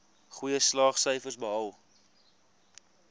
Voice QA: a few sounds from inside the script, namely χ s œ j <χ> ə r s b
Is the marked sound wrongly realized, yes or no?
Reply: yes